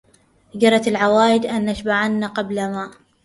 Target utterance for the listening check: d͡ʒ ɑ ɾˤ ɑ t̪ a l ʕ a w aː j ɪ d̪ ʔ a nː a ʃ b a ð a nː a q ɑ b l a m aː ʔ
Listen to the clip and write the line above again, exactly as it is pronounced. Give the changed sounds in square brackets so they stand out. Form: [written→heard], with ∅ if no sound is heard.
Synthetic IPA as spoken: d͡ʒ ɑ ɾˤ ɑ t̪ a l ʕ a w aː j ɪ d̪ ʔ a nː a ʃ b a [ð→ʕ] a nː a q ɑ b l a m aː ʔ